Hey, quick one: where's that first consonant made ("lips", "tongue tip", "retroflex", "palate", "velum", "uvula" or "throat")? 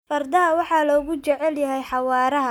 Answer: lips